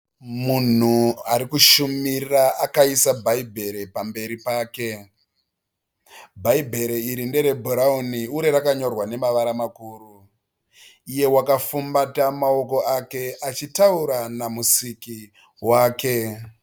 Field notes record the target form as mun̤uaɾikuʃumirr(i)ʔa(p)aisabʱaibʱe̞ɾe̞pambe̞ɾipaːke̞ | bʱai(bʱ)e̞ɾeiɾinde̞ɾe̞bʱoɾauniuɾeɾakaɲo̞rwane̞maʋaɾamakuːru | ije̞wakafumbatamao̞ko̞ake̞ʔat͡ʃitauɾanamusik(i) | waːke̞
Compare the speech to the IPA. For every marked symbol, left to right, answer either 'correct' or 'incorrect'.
incorrect: a, incorrect: k, correct, correct

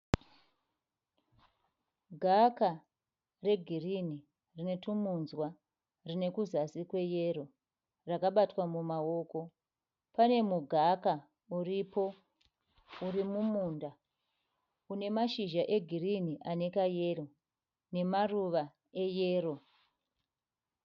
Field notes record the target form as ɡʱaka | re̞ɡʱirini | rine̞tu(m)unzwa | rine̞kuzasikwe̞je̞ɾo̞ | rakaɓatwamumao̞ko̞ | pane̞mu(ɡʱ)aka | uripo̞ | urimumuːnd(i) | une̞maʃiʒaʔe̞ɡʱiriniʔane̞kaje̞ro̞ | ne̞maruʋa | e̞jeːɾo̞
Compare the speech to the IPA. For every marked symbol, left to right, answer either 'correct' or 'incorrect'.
correct, correct, incorrect: a

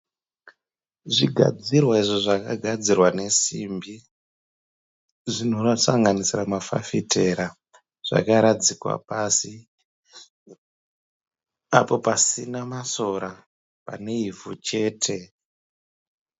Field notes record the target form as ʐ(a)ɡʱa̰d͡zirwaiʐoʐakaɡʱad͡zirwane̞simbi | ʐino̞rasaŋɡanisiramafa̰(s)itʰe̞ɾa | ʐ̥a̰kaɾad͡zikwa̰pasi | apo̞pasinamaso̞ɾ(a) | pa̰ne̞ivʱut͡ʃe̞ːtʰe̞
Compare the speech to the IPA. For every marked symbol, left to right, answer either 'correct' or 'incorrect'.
incorrect: i, incorrect: f, correct

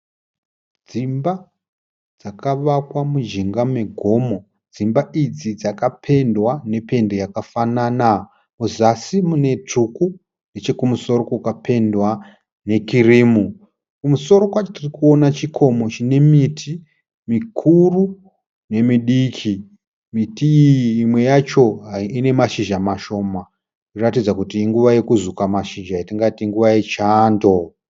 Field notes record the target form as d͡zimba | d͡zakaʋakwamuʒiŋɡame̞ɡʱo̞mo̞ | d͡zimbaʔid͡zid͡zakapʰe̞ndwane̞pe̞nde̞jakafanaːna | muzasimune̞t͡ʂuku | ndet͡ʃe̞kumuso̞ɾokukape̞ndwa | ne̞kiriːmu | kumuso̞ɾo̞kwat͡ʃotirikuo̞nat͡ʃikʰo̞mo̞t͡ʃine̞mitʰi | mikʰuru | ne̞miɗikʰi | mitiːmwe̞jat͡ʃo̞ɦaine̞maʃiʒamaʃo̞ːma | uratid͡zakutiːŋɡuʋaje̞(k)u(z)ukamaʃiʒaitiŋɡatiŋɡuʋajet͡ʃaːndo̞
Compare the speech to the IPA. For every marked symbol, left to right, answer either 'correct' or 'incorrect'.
correct, correct

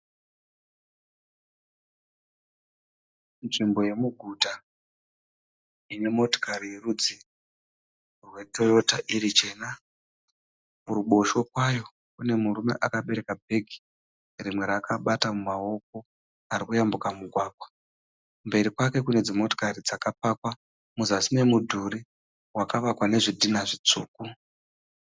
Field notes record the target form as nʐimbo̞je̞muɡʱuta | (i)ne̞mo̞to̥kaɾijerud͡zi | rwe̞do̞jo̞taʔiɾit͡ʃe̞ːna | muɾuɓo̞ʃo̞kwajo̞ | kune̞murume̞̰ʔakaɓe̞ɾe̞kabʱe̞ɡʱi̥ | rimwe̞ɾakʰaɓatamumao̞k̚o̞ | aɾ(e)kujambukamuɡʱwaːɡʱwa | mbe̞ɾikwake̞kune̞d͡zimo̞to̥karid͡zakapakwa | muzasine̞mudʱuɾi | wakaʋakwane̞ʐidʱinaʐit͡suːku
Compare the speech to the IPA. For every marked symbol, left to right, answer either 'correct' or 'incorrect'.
correct, incorrect: i

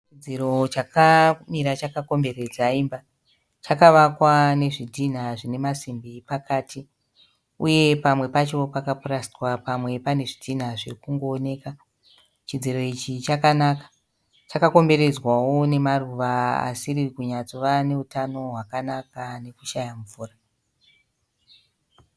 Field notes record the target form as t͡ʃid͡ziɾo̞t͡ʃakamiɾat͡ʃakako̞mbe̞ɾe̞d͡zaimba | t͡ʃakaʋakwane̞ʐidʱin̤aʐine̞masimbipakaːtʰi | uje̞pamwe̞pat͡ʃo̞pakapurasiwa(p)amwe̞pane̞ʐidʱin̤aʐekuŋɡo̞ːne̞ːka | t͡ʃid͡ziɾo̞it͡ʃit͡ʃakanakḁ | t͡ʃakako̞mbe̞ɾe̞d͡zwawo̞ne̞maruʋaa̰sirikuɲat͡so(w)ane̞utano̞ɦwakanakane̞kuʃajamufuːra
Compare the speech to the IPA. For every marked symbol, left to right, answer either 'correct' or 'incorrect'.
correct, incorrect: ʋ

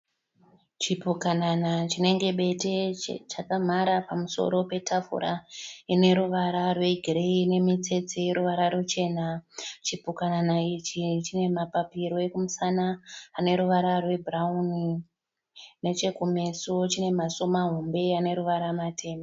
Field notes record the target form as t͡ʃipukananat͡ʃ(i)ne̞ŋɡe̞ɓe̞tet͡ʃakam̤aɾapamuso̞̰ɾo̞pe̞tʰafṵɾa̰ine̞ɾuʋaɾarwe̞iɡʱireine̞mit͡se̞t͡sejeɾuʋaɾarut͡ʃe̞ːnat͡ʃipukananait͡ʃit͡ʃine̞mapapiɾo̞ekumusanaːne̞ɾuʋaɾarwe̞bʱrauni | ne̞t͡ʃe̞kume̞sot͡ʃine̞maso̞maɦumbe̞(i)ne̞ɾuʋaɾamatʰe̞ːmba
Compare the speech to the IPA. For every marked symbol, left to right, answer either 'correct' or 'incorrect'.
correct, incorrect: a

